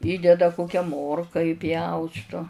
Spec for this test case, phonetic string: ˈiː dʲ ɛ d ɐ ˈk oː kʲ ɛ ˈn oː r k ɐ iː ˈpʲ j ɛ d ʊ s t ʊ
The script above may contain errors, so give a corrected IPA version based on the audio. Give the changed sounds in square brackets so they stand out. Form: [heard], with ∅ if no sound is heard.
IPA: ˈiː dʲ ɛ d ɐ ˈk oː kʲ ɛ [ˈm] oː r k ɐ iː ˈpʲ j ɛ [∅] ʊ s t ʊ